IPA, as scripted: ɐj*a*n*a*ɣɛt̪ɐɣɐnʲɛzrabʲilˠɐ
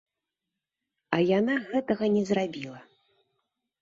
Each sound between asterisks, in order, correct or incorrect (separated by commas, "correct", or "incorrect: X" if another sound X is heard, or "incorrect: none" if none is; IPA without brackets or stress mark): correct, correct